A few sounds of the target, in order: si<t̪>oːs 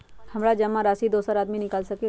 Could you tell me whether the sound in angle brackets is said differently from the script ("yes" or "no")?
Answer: yes